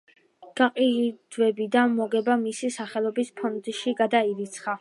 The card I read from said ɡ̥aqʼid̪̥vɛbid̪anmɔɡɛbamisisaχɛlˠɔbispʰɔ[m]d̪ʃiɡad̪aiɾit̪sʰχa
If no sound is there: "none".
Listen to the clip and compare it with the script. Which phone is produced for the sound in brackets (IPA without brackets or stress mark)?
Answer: n